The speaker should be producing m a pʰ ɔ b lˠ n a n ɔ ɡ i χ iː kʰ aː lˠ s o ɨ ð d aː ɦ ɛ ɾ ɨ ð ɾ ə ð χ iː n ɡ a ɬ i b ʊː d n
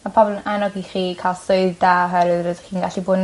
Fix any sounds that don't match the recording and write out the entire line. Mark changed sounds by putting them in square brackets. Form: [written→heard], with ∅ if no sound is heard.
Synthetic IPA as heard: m a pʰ ɔ b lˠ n a n ɔ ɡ i χ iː kʰ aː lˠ s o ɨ ð d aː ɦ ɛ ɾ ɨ ð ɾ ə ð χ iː n ɡ a ɬ i b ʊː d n